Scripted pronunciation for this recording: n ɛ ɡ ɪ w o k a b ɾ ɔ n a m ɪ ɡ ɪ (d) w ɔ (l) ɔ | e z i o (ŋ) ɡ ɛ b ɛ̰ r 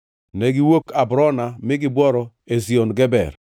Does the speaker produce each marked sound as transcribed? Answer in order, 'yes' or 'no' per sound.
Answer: no, no, no

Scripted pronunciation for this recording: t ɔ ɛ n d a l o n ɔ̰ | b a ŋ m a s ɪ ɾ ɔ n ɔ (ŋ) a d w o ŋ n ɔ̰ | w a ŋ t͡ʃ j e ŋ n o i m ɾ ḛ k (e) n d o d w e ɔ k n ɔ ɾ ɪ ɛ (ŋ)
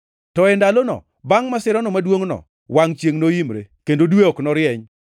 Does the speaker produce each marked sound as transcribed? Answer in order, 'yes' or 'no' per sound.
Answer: no, yes, no

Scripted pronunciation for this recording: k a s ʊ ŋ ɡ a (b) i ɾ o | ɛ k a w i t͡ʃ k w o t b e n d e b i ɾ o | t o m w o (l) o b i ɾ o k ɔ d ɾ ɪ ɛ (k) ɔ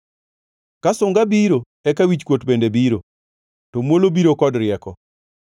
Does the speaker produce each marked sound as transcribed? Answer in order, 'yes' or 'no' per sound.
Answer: yes, yes, yes

